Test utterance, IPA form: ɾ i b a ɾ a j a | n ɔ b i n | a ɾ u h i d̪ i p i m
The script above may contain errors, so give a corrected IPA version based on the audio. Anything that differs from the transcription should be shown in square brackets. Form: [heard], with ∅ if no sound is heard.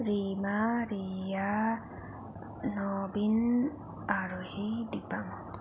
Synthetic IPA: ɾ i [m] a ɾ [i] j a | n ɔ b i n | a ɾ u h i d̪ i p [a] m

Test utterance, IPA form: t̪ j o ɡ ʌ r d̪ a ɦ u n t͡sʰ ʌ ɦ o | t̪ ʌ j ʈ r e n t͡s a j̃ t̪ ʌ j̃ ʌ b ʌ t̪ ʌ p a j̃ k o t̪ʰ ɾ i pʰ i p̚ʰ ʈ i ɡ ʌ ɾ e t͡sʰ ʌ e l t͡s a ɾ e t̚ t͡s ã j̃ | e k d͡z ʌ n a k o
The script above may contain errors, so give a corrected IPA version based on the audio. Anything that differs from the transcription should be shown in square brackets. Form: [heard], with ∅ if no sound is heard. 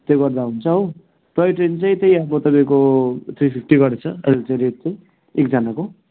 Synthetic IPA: t̪ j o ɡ ʌ r d̪ a ɦ u n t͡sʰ ʌ ɦ o | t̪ ʌ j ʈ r e n t͡s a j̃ t̪ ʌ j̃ ʌ b ʌ t̪ ʌ p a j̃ k o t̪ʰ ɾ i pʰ i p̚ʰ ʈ i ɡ ʌ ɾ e t͡sʰ ʌ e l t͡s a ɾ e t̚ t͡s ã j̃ | e k d͡z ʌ n a k o

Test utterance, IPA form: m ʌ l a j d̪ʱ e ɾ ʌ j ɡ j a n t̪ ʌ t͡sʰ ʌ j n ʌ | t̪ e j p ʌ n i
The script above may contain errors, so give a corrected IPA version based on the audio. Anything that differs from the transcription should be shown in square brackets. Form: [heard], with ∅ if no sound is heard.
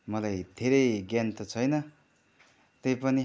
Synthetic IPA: m ʌ l a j d̪ʱ e ɾ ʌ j ɡ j a n t̪ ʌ t͡sʰ ʌ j n ʌ | t̪ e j p ʌ n i

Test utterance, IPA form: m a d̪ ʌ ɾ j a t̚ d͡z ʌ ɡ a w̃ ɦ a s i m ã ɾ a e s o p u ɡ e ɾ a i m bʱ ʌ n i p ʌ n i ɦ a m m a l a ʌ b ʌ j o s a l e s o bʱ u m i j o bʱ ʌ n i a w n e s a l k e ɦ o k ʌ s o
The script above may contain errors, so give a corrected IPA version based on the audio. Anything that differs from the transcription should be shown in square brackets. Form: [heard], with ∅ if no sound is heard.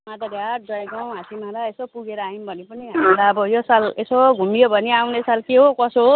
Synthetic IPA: m a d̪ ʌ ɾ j a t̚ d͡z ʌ ɡ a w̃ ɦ a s i m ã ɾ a e s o p u ɡ e ɾ a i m bʱ ʌ n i p ʌ n i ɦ a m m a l a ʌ b ʌ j o s a l e s o [ɡʱ] u m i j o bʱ ʌ n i a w n e s a l k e ɦ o k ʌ s o

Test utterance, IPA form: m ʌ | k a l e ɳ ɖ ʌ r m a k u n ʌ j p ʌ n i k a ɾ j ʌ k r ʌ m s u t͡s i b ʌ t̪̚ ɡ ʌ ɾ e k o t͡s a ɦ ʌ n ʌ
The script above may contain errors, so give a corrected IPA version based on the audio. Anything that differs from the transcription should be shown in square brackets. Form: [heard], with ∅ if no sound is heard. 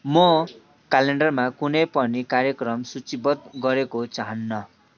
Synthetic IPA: m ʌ | k a l e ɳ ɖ ʌ r m a k u n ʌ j p ʌ n i k a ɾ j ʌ k r ʌ m s u t͡s i b ʌ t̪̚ ɡ ʌ ɾ e k o t͡s a ɦ ʌ [nː] ʌ

